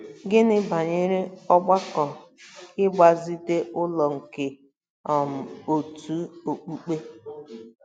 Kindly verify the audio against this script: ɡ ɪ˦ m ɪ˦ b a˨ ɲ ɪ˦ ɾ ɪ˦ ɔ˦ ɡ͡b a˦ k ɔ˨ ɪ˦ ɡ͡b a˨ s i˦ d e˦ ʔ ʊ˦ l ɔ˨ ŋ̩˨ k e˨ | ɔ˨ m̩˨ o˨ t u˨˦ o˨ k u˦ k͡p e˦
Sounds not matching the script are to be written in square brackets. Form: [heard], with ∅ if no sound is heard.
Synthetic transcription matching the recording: ɡ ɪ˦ [n] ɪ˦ b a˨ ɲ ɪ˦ ɾ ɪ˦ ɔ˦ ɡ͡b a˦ k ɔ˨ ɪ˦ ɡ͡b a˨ [z] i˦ d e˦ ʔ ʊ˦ l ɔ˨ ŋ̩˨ k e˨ | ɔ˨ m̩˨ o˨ t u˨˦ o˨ [k͡p] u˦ k͡p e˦